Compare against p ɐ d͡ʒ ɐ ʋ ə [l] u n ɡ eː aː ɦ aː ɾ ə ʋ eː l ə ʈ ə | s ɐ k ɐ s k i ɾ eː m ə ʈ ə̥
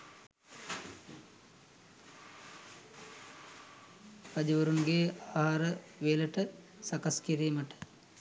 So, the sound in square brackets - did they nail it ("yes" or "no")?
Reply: no